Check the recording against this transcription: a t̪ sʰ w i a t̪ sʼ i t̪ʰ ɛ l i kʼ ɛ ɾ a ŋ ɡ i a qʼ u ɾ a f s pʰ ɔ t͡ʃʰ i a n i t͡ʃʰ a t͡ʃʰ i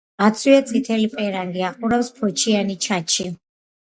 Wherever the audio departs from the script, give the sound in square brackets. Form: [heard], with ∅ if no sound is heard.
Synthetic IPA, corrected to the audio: a t̪ sʰ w i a t̪ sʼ i t̪ʰ ɛ l i [pʼ] ɛ ɾ a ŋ ɡ i a qʼ u ɾ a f s pʰ ɔ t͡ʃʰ i a n i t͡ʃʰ a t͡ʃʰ i